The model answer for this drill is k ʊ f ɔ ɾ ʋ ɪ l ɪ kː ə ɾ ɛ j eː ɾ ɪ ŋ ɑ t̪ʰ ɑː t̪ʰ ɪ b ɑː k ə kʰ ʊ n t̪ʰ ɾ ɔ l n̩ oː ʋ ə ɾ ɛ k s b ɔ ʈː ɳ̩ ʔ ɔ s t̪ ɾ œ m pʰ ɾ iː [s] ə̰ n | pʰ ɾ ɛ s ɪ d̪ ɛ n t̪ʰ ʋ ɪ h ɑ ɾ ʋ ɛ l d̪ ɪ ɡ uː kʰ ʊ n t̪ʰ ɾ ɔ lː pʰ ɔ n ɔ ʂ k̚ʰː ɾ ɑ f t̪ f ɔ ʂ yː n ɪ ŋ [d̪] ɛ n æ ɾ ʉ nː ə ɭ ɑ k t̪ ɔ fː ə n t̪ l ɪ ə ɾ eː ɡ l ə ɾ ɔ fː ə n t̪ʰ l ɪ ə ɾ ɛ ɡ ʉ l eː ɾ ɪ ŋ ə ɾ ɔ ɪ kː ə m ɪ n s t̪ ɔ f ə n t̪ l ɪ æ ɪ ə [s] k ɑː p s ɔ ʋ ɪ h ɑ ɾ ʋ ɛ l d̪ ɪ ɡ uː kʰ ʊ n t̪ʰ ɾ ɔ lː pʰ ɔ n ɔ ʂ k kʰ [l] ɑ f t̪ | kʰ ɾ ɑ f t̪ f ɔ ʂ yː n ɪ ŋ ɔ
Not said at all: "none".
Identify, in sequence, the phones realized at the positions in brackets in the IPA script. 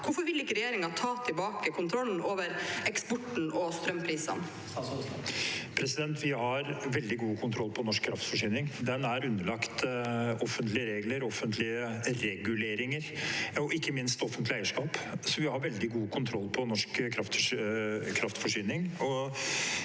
s, d̪, ʂ, ɾ

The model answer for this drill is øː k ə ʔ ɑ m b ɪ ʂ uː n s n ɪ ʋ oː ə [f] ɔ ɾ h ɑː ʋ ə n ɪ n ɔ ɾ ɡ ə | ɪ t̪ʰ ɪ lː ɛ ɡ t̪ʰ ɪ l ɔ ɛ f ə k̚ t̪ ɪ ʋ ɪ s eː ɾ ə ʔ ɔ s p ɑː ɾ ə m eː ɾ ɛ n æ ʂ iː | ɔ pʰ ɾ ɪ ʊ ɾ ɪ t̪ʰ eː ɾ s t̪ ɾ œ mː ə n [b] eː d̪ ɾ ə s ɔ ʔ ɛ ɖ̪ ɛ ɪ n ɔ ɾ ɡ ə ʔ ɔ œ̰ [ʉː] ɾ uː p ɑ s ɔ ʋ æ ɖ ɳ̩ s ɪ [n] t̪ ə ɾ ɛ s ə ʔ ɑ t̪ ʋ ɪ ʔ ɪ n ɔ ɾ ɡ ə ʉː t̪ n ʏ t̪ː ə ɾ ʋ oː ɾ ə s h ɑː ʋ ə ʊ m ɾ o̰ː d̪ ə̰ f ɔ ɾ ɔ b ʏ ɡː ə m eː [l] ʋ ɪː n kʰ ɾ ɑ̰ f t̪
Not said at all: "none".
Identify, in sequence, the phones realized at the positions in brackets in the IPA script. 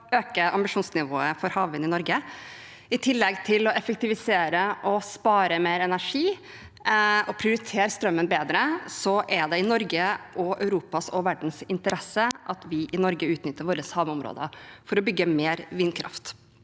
f, b, ʉ, n, ɾ

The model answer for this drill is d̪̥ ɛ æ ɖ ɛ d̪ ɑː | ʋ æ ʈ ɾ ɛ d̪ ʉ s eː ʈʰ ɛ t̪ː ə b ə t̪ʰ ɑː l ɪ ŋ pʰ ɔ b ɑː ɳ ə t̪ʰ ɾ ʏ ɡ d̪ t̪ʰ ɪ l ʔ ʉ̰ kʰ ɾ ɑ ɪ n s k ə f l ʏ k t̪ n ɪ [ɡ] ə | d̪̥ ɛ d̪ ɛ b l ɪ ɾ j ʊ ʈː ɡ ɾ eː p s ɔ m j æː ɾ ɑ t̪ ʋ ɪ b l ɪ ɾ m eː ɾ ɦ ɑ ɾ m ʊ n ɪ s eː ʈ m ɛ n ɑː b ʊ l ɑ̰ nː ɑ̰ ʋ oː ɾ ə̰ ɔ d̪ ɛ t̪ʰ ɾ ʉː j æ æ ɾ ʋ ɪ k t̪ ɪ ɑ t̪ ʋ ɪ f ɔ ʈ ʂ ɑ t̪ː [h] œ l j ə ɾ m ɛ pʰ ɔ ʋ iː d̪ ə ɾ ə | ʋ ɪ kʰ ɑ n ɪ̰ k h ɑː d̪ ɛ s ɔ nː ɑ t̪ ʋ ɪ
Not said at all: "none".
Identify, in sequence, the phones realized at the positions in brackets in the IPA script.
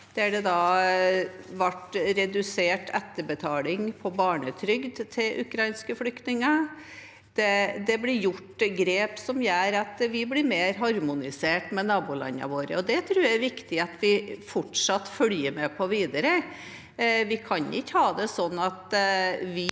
ŋ, f

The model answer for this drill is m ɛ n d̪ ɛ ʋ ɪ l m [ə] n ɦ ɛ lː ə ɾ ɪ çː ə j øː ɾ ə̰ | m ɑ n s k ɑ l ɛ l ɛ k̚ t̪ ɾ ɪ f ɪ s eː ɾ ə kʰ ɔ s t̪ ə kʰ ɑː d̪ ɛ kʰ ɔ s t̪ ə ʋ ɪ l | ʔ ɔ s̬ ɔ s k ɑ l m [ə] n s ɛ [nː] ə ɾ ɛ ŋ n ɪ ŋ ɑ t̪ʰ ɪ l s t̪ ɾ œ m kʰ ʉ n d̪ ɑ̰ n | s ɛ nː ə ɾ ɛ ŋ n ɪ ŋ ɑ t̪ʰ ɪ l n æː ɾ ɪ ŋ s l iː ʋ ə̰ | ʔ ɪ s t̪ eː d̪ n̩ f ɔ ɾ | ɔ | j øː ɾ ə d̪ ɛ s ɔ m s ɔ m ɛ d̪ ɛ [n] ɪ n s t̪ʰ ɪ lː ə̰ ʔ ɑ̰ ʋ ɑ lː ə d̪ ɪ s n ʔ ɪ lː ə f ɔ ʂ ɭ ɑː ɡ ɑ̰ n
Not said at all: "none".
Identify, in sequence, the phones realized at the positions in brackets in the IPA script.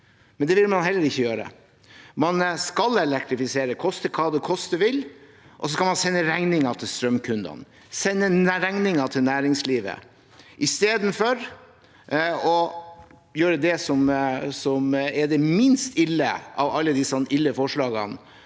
ɑ, ɑ, nː, m

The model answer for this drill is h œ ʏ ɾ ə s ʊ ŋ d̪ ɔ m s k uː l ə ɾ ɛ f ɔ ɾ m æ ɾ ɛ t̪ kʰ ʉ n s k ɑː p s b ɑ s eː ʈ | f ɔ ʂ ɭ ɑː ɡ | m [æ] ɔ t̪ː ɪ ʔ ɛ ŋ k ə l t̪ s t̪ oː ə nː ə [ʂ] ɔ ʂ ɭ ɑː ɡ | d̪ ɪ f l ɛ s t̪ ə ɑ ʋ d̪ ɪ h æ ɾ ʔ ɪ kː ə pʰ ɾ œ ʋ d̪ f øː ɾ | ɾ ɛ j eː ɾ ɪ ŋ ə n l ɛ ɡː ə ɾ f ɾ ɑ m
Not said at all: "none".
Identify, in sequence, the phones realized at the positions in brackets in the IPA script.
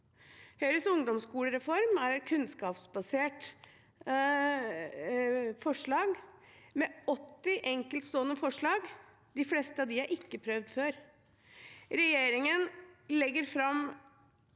ɛ, f

